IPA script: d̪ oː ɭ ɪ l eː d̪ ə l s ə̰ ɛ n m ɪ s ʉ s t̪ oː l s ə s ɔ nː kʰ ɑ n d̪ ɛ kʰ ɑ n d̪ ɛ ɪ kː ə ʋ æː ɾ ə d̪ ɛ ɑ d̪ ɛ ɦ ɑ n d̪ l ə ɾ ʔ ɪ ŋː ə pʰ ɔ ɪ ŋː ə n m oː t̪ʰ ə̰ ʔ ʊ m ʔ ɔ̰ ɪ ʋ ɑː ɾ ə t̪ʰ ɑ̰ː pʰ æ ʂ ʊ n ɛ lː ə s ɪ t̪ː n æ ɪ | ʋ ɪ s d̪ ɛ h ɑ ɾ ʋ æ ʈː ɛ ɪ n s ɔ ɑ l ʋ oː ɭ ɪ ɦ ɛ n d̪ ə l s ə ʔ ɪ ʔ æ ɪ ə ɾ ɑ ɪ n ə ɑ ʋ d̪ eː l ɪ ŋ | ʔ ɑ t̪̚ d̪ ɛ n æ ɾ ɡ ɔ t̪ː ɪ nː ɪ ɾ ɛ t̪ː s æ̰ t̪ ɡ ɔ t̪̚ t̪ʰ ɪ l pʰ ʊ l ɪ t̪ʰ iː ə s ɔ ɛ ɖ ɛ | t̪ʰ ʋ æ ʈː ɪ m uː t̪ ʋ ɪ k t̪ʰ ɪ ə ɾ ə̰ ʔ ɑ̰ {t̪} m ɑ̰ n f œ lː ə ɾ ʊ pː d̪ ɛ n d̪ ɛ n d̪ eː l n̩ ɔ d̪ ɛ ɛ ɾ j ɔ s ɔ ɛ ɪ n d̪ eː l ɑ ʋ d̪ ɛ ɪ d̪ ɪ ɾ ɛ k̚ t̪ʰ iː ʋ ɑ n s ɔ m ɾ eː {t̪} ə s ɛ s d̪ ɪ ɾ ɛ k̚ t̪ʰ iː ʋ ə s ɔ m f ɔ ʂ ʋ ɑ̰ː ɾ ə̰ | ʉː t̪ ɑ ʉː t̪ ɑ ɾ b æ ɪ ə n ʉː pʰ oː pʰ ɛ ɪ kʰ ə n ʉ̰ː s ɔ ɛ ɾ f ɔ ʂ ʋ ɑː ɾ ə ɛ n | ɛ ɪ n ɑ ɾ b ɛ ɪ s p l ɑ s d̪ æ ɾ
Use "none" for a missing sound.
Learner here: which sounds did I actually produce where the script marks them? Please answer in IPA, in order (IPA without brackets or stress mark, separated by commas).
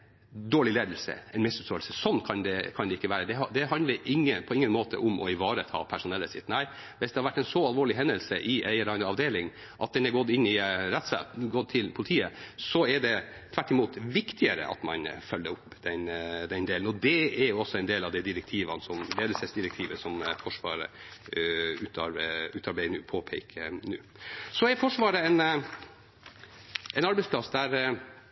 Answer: t̪, d̪